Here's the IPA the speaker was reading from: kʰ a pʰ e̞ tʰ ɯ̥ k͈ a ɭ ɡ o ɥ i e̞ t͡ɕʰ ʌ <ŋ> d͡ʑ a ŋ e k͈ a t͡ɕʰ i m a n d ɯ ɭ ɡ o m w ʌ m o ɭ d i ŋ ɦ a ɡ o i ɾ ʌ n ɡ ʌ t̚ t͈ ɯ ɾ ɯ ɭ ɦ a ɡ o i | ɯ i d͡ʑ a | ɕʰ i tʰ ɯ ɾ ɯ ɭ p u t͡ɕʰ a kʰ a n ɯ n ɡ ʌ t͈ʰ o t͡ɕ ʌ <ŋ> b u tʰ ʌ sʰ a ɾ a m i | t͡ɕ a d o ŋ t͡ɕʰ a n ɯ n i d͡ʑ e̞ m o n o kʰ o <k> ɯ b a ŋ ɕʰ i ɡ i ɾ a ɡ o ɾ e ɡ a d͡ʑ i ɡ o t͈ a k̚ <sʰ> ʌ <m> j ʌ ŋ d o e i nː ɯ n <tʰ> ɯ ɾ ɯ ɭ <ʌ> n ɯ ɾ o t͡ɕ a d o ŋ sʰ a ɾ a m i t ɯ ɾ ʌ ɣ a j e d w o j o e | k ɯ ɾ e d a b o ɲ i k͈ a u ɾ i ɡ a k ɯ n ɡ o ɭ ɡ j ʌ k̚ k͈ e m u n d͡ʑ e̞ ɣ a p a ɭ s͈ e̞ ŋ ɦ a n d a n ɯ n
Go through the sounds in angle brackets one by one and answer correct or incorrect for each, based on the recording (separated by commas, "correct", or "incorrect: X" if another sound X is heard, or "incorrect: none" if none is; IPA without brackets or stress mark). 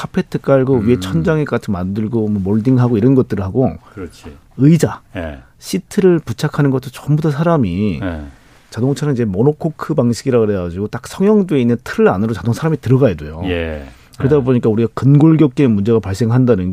incorrect: n, incorrect: m, incorrect: kʰ, correct, incorrect: ŋ, correct, incorrect: a